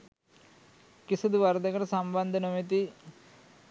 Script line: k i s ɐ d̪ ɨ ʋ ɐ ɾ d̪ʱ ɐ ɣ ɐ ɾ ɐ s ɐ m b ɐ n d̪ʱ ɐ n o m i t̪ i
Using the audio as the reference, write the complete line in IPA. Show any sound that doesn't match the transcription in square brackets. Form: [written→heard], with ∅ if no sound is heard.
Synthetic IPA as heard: k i s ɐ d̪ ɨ ʋ ɐ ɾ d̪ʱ ɐ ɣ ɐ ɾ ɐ s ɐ m b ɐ n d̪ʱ ɐ n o m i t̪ i